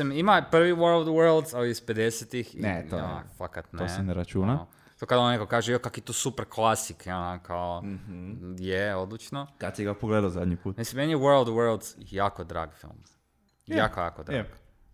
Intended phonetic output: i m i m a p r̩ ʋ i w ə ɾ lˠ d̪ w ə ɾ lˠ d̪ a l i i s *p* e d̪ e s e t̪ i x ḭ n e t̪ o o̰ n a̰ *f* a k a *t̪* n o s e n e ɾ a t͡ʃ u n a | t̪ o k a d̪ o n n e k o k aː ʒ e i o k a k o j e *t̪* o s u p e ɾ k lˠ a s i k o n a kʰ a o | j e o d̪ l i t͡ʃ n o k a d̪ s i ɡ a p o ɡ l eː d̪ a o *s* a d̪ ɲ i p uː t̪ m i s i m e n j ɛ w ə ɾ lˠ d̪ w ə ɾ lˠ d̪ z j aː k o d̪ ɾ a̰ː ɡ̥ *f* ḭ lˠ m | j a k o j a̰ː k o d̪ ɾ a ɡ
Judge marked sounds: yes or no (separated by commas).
yes, yes, yes, yes, no, yes